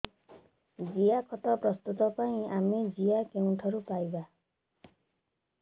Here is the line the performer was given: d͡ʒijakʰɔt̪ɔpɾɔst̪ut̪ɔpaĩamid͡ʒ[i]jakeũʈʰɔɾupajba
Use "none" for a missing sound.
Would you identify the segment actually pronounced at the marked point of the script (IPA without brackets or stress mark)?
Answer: i